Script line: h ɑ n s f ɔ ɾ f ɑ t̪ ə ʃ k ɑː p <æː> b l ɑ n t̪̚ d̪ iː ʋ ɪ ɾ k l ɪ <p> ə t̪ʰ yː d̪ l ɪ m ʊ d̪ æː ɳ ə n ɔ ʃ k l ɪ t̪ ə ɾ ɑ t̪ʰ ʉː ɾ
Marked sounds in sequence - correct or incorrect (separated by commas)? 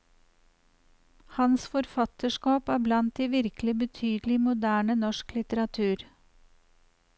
correct, incorrect